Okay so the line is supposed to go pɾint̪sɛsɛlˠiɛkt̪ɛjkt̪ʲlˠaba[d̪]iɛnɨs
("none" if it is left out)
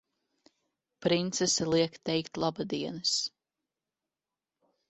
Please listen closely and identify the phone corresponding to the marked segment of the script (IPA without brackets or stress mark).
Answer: d̪